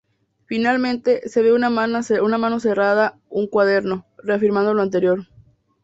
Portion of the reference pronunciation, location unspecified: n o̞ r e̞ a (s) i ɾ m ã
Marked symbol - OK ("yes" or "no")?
no